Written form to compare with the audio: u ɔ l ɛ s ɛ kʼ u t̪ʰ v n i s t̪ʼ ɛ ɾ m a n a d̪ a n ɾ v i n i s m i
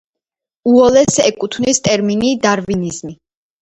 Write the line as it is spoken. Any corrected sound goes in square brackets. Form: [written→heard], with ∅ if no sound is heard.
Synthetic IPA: u ɔ l ɛ s ɛ kʼ u t̪ʰ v n i s t̪ʼ ɛ ɾ m [a→i] n [a→i] d̪ a [n→∅] ɾ v i n i [s→z] m i

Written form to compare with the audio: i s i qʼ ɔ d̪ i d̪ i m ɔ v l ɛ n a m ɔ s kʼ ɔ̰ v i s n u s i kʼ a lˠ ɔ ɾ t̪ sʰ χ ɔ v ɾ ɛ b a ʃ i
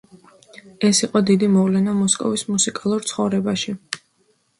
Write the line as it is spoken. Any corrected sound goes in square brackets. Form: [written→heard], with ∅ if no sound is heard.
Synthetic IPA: [i→ɛ] s i qʼ ɔ d̪ i d̪ i m ɔ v l ɛ n a m ɔ s kʼ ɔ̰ v i s [n→m] u s i kʼ a lˠ [ɔ→u] ɾ t̪ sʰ χ ɔ v ɾ ɛ b a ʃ i

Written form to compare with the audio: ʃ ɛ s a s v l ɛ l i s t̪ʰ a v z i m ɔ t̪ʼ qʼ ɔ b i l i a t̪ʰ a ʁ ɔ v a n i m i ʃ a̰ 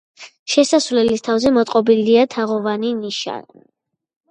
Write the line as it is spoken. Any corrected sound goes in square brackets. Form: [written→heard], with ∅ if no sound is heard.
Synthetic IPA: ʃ ɛ s a s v l ɛ l i s t̪ʰ a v z [i→ɛ] m ɔ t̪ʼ qʼ ɔ b i l i a t̪ʰ a ʁ ɔ v a n i [m→n] i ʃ a̰

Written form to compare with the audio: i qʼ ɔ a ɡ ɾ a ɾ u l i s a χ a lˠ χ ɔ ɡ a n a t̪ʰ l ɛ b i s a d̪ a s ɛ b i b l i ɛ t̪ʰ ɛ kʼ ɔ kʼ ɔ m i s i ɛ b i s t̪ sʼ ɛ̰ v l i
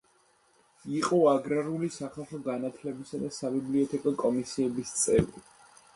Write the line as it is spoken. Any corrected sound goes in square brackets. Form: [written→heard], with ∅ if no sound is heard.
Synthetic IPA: i qʼ ɔ a ɡ ɾ a ɾ u l i s a χ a lˠ χ ɔ ɡ a n a t̪ʰ l ɛ b i s a d̪ a s [ɛ→a] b i b l i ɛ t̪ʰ ɛ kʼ ɔ kʼ ɔ m i s i ɛ b i s t̪ sʼ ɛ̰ v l i

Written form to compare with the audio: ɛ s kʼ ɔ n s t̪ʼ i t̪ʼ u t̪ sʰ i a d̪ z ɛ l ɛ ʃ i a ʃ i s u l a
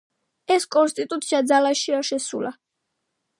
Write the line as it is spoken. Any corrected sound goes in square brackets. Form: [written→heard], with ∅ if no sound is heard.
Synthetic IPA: ɛ s kʼ ɔ n s t̪ʼ i t̪ʼ u t̪ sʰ i a d̪ z [ɛ→a] l [ɛ→a] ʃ i a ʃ [i→ɛ] s u l a

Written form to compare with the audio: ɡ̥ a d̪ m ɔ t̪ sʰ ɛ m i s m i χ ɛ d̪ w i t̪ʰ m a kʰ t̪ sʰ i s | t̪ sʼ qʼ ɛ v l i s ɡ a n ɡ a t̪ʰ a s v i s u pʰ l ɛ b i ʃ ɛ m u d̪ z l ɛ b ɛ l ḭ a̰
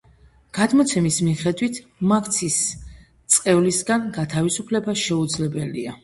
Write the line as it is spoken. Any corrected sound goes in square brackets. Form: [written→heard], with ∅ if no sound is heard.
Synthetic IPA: ɡ̥ a d̪ m ɔ t̪ sʰ ɛ m i s m i χ ɛ d̪ w i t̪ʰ m a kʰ t̪ sʰ i s | t̪ sʼ qʼ ɛ v l i s ɡ a n ɡ a t̪ʰ a [s→∅] v i s u pʰ l ɛ b [i→a] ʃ ɛ [m→∅] u d̪ z l ɛ b ɛ l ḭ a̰

